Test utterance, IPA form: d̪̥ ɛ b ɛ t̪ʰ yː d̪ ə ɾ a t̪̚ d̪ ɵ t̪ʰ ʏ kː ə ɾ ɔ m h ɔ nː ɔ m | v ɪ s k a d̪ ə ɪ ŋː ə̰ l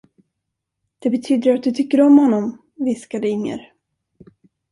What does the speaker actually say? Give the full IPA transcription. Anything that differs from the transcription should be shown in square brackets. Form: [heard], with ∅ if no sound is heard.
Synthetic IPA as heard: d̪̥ ɛ b ɛ t̪ʰ yː d̪ ə ɾ a t̪̚ d̪ ɵ t̪ʰ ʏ kː ə ɾ ɔ m h ɔ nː ɔ m | v ɪ s k a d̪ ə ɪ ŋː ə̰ [ɾ]

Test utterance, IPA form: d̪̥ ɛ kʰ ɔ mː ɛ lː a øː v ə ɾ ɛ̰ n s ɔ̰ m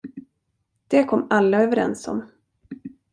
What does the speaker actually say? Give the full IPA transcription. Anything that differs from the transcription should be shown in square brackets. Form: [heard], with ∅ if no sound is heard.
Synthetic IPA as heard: d̪̥ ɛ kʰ ɔ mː [a] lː a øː v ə ɾ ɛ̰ n s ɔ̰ m

